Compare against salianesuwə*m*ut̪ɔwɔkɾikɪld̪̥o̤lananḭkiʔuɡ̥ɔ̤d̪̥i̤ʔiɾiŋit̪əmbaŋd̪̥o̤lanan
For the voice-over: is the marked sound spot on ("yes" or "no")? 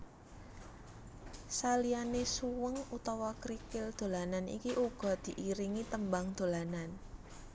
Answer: no